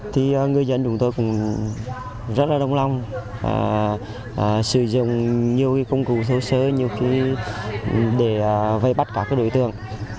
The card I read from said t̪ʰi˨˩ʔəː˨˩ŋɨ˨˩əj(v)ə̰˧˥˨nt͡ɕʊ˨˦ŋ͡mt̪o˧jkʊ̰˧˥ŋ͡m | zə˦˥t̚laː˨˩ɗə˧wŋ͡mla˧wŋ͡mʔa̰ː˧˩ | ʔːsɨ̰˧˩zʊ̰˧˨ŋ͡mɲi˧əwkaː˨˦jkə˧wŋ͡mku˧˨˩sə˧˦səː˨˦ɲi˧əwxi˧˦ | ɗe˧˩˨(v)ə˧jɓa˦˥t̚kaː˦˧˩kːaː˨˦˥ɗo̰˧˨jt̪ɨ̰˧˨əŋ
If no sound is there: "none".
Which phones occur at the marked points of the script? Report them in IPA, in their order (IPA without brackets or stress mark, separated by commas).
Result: z, v